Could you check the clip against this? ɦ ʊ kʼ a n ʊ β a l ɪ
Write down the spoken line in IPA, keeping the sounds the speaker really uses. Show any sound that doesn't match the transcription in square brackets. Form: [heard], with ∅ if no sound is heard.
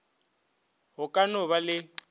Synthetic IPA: ɦ ʊ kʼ a n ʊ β a l ɪ